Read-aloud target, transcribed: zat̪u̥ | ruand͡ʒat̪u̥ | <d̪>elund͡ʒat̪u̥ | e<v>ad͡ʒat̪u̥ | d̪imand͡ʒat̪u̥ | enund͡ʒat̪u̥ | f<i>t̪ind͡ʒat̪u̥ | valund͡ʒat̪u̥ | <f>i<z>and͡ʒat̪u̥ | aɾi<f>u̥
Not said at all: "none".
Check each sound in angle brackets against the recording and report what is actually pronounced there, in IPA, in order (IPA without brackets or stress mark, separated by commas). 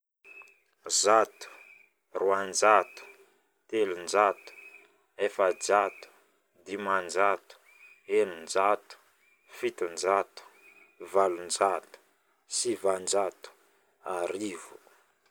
t̪, f, i, s, v, v